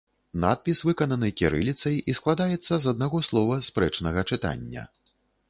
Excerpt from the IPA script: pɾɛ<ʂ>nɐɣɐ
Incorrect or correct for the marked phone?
incorrect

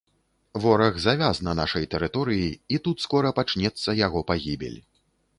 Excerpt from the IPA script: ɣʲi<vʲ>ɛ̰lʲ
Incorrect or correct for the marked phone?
incorrect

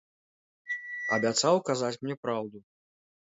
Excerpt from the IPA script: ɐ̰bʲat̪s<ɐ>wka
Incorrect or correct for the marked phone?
incorrect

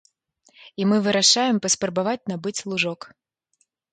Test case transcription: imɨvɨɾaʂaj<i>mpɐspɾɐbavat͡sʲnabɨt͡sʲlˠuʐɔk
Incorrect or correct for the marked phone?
incorrect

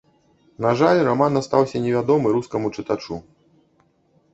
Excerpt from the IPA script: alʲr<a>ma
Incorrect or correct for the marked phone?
correct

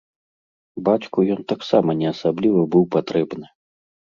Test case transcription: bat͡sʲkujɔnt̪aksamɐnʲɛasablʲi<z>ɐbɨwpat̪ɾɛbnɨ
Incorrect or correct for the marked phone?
incorrect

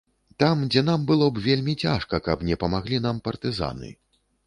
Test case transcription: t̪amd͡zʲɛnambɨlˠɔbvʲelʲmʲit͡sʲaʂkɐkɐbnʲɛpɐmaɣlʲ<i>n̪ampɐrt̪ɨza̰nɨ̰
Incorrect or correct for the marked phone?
correct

